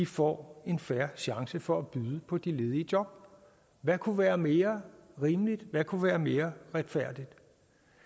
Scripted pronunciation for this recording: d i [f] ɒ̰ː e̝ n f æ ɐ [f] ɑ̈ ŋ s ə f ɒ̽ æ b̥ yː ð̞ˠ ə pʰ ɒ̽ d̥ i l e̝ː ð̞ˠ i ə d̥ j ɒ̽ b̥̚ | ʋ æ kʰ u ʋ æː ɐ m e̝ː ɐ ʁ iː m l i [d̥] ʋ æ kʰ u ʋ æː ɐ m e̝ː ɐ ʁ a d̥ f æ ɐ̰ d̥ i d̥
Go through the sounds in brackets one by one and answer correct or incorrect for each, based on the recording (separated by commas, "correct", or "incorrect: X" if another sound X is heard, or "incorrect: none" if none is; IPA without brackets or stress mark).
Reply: correct, incorrect: ɕ, correct